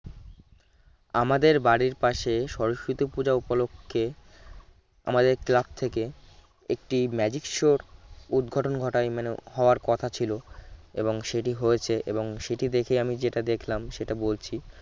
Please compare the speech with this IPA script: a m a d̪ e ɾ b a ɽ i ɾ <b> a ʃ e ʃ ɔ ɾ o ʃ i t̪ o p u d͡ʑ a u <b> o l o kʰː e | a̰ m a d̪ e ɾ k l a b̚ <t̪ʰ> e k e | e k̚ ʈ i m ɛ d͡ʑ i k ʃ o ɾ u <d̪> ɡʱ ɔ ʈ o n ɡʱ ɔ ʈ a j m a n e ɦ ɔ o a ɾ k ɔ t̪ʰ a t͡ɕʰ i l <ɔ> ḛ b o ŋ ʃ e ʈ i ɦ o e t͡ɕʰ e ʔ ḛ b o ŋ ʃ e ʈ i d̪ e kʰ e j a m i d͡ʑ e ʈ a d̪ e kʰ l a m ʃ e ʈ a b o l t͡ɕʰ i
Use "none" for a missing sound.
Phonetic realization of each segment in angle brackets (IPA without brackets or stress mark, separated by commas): p, p, t̪ʰ, d̪, o